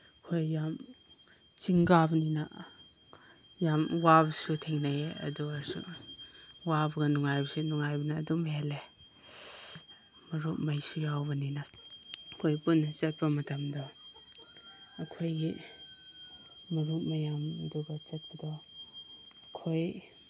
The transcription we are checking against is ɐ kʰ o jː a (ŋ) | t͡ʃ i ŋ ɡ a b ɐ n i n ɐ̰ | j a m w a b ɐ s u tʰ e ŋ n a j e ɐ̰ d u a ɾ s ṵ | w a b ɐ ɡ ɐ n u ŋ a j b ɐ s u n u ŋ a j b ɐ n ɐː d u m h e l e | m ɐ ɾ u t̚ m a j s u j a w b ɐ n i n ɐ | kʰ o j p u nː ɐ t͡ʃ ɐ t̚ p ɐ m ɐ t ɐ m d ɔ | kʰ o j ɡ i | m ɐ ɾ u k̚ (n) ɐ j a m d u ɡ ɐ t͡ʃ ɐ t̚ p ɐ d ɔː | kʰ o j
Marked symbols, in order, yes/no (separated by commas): no, no